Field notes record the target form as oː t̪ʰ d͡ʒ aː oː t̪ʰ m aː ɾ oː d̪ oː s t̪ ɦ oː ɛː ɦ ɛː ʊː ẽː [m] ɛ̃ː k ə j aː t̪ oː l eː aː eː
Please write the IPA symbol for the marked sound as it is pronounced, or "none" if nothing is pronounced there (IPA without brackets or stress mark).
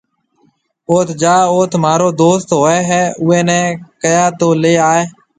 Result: n